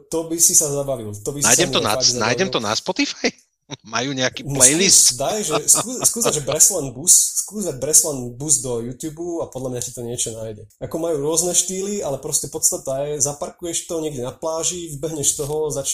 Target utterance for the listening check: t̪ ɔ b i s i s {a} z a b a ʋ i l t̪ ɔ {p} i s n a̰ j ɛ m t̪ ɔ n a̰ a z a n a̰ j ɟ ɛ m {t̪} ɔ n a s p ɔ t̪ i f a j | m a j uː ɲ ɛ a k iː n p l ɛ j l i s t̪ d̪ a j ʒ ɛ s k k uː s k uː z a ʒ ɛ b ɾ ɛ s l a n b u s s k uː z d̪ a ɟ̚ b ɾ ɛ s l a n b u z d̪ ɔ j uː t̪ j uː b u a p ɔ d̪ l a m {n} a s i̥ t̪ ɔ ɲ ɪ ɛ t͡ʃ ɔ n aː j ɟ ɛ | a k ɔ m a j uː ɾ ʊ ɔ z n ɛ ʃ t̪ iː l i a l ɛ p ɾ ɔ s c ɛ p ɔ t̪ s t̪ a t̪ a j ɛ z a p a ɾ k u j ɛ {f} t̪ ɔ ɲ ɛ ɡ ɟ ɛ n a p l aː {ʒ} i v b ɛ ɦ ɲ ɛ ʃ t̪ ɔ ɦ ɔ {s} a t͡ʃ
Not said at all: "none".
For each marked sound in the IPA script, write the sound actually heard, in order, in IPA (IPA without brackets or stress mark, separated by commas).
a, b, t̪, ɲ, ʃ, ʒ, z